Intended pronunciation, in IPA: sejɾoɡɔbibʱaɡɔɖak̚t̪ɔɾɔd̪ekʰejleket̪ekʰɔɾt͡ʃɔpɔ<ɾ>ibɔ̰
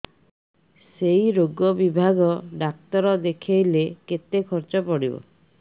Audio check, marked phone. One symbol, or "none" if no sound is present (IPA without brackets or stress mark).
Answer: ɽ